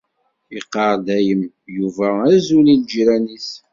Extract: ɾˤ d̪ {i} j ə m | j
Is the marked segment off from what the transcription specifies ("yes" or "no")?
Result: yes